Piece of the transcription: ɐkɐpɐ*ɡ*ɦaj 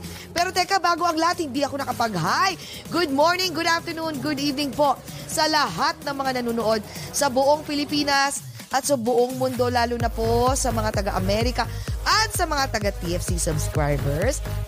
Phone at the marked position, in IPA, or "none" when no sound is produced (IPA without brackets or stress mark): ɡ